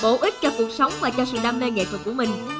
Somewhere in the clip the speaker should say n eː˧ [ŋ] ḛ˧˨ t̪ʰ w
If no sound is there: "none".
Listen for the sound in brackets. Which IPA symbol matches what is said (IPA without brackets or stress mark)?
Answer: ŋ